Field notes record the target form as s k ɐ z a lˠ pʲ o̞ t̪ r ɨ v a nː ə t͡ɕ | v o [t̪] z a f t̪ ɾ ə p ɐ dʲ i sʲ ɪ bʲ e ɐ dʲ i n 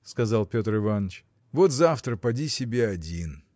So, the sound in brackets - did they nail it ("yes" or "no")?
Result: yes